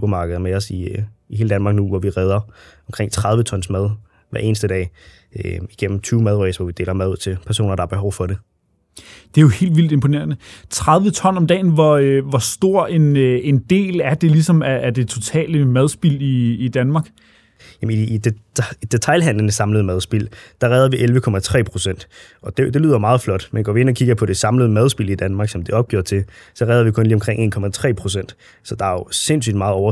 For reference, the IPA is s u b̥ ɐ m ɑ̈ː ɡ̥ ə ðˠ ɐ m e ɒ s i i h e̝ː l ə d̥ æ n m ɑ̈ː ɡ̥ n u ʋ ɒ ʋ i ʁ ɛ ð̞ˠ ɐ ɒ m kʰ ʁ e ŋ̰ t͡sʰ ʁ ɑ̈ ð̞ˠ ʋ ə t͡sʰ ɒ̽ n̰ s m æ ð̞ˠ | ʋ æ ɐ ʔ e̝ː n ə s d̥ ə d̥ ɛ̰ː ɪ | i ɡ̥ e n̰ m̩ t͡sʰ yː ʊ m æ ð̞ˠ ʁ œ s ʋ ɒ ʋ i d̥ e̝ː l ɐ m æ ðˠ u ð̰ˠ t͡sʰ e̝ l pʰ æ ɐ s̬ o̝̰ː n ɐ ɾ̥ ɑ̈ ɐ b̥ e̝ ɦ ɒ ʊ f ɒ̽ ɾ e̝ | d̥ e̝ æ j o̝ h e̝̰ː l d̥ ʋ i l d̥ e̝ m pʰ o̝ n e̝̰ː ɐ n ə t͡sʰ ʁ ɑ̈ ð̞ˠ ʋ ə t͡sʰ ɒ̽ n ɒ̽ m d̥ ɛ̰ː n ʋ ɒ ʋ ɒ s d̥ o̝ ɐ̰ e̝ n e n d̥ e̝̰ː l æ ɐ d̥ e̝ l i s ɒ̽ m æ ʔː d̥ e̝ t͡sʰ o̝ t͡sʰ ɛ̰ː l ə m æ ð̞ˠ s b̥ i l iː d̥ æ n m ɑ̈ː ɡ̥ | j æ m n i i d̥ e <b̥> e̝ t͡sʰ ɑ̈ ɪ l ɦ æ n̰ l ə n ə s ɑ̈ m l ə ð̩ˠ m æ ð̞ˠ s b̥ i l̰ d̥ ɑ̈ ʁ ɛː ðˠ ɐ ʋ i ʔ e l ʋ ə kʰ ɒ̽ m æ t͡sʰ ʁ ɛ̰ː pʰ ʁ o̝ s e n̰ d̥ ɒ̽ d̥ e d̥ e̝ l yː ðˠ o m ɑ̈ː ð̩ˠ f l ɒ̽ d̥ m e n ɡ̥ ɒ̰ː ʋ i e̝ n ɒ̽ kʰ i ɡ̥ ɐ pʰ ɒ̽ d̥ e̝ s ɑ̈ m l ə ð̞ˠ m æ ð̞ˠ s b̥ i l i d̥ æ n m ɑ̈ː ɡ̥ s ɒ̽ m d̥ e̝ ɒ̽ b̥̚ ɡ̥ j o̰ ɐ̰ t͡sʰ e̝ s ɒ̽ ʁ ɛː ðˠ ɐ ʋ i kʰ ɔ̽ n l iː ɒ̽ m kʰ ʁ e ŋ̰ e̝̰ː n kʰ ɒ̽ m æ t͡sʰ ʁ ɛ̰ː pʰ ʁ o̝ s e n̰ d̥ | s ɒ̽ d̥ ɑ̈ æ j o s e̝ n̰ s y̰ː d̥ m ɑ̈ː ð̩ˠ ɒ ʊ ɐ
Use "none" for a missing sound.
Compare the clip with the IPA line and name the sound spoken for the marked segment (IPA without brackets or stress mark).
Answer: d̥